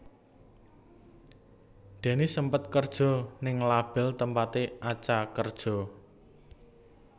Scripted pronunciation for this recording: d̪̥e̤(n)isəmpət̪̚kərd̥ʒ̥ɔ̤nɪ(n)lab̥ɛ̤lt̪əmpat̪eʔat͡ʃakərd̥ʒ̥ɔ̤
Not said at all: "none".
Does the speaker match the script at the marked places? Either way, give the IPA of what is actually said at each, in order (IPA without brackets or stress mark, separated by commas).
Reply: n, ŋ